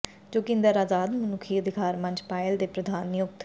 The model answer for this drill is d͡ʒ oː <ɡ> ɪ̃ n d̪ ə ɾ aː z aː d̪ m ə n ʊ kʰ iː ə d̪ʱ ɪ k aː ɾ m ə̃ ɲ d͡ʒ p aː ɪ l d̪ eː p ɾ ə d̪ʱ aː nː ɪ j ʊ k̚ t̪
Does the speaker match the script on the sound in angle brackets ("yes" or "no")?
no